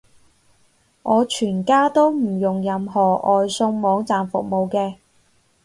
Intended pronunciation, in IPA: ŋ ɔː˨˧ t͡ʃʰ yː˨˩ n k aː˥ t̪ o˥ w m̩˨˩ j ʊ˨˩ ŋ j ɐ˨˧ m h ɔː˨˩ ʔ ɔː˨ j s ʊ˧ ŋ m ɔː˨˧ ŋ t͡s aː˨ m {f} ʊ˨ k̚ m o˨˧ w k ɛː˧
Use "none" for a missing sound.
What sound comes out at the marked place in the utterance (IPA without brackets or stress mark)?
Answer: f